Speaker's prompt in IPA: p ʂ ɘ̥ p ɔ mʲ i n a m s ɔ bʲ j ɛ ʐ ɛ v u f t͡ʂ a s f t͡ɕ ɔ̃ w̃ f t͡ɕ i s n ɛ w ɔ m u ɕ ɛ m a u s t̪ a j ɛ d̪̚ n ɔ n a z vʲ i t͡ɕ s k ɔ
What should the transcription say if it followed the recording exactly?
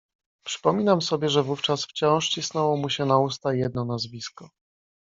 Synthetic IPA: p ʂ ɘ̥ p ɔ mʲ i n a m s ɔ bʲ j ɛ ʐ ɛ v u f t͡ʂ a s f t͡ɕ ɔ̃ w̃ ʂ t͡ɕ i s n ɛ w ɔ m u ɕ ɛ n a u s t̪ a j ɛ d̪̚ n ɔ n a z vʲ i s k ɔ

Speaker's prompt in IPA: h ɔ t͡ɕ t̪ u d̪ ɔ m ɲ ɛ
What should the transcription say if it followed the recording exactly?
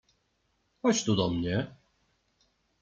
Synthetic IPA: h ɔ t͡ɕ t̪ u d̪ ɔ m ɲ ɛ

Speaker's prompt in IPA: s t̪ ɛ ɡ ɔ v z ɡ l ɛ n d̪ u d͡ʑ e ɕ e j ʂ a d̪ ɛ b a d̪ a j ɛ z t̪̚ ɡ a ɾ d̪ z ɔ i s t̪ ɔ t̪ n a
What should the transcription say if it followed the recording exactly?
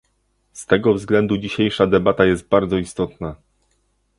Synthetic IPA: s t̪ ɛ ɡ ɔ v z ɡ l ɛ n d̪ u d͡ʑ i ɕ e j ʂ a d̪ ɛ b a t̪ a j ɛ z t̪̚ b a ɾ d̪ z ɔ i s t̪ ɔ t̪ n a

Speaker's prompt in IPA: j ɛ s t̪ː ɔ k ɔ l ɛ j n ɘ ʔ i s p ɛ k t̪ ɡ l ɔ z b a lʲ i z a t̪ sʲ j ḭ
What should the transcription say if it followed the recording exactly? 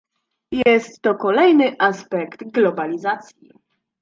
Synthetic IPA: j ɛ s t̪ː ɔ k ɔ l ɛ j n ɘ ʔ a s p ɛ k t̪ ɡ l ɔ b a lʲ i z a t̪ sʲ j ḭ

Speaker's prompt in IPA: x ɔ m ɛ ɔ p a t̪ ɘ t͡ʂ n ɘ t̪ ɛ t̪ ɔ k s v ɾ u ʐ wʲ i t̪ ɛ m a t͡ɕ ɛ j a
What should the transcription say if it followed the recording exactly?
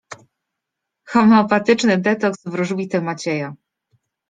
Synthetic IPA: x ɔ m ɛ ɔ p a t̪ ɘ t͡ʂ n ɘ d̪ ɛ t̪ ɔ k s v ɾ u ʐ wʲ i t̪ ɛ m a t͡ɕ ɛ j a

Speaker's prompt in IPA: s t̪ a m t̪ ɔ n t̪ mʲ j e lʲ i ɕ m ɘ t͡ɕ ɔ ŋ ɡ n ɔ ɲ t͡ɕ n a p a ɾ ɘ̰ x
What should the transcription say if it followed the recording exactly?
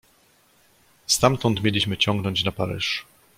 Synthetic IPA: s t̪ a m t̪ ɔ n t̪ mʲ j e lʲ i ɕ m ɘ t͡ɕ ɔ ŋ ɡ n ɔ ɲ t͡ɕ n a p a ɾ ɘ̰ ʂ

